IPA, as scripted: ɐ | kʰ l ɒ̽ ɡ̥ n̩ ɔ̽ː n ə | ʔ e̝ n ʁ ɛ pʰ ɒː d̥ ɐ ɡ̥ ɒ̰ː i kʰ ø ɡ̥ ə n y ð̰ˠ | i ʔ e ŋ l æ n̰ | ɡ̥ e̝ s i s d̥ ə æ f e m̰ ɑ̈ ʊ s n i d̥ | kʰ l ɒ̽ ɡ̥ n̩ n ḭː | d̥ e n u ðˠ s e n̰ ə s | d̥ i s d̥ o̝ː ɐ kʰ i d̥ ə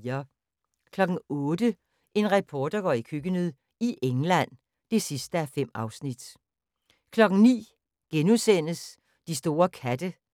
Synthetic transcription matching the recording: ɐ | kʰ l ɒ̽ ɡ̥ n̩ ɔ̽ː d ə | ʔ e̝ n ʁ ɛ pʰ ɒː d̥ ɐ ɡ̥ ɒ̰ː i kʰ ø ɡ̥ ə n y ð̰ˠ | i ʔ e ŋ l æ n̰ | d̥ e̝ s i s d̥ ə æ f e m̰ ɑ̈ ʊ s n i d̥ | kʰ l ɒ̽ ɡ̥ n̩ n ḭː | ɡ̥ e n u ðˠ s e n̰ ə s | d̥ i s d̥ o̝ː ɐ kʰ æ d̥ ə